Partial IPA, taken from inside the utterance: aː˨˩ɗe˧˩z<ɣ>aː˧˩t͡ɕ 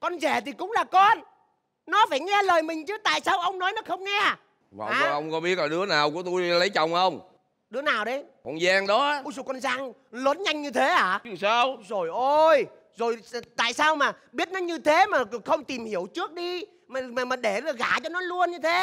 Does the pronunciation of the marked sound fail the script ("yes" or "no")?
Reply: no